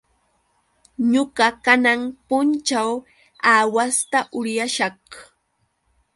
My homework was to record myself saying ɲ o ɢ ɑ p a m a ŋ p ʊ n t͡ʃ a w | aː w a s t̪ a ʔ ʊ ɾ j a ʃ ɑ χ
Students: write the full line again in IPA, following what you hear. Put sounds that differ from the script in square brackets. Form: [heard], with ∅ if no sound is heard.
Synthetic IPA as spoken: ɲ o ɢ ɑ [k] a [n] a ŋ p ʊ n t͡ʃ a w | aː w a s t̪ a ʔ ʊ ɾ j a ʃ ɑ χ